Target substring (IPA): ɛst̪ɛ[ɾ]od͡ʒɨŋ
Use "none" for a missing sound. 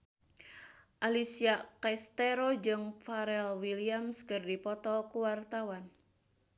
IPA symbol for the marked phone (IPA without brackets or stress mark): ɾ